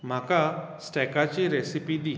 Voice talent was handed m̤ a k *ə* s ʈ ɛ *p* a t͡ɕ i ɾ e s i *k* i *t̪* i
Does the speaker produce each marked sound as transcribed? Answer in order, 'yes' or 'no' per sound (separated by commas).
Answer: no, no, no, no